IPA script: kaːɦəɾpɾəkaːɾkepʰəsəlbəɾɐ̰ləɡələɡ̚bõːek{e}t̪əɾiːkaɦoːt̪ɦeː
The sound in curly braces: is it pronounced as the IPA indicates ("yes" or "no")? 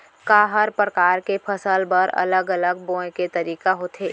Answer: yes